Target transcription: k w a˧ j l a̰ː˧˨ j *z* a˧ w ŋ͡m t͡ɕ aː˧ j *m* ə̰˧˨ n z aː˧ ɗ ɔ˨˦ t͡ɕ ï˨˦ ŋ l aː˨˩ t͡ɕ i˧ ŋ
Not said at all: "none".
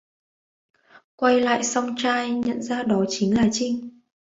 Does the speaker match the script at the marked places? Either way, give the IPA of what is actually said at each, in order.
s, ɲ

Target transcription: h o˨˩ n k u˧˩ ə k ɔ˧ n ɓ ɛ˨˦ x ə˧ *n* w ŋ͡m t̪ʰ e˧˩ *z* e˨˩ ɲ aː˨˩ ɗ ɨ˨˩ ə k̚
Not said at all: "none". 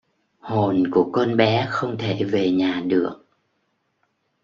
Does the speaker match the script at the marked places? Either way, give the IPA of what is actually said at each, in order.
none, v

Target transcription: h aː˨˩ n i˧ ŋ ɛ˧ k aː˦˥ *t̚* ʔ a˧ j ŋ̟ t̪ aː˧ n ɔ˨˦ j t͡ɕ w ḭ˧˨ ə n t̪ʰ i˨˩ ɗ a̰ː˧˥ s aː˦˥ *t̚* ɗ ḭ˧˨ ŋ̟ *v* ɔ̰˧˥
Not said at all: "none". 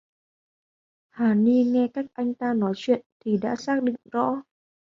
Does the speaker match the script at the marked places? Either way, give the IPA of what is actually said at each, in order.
k̚, k̚, z

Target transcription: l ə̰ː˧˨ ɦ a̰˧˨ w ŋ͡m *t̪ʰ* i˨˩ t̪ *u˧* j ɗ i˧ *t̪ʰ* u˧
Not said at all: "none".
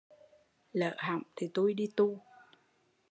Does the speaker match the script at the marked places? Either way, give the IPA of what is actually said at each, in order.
t̪ʰ, u˧, t̪

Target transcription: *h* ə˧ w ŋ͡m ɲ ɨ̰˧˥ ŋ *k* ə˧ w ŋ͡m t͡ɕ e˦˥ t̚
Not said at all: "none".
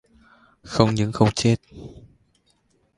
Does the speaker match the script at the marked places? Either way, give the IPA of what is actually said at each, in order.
x, x

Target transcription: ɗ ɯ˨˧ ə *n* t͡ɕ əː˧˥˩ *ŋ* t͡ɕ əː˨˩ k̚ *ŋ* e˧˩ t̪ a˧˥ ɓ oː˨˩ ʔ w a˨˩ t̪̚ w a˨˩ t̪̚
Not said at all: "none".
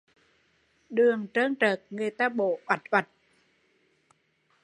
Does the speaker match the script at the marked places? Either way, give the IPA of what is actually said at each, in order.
ŋ, ŋ, ŋ

